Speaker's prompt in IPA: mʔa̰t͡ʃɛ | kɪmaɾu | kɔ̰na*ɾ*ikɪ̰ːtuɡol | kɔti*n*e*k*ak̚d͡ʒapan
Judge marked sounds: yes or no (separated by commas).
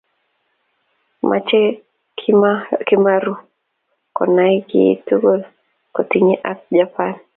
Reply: no, no, no